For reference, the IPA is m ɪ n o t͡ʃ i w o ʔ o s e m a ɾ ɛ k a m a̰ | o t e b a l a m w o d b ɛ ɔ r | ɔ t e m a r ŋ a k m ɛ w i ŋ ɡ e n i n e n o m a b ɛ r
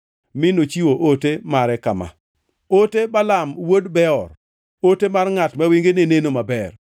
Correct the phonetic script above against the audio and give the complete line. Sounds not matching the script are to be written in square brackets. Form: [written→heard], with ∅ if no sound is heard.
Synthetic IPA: m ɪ n o t͡ʃ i w o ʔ o [s→t] e m a ɾ ɛ k a m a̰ | o t e b a l a m w o d b ɛ ɔ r | [ɔ→o] t e m a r ŋ a [k→t] m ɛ w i ŋ ɡ e n [i→e] n e n o m a b ɛ r